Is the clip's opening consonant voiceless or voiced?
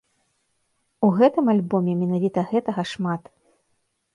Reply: voiced